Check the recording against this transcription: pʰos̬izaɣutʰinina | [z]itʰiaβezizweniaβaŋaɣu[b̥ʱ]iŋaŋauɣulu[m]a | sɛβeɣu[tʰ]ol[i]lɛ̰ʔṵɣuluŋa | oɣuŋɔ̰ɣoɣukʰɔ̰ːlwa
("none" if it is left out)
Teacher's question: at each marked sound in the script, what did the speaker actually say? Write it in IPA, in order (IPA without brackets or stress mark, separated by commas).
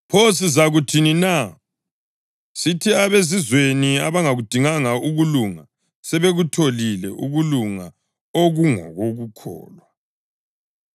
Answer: s, d̥ʱ, ŋ, tʰ, i